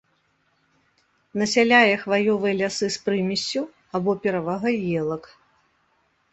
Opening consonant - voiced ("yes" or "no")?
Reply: yes